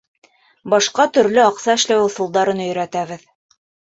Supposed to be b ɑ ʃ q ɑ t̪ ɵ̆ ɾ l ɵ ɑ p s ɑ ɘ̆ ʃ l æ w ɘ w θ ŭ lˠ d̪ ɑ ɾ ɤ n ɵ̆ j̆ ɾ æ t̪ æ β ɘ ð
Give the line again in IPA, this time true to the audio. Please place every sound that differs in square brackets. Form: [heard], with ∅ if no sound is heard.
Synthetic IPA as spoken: b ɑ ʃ q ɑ t̪ ɵ̆ ɾ l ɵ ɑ [q] s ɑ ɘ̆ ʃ l æ w ɘ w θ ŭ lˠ d̪ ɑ ɾ ɤ n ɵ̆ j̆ ɾ æ t̪ æ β ɘ ð